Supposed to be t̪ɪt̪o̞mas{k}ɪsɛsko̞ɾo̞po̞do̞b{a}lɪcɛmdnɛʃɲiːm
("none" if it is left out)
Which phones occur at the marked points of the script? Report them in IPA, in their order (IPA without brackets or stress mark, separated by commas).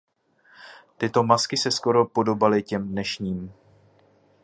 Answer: k, a